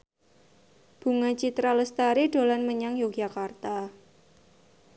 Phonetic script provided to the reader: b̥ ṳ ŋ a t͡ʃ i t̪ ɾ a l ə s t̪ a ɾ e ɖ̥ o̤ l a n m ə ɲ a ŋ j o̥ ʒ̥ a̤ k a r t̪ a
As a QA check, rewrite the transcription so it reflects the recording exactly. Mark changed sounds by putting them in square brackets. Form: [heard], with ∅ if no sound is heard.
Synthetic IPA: b̥ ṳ ŋ a t͡ʃ i t̪ ɾ a l ə s t̪ a ɾ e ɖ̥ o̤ l a n m ə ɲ a ŋ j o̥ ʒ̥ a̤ k a r t̪ a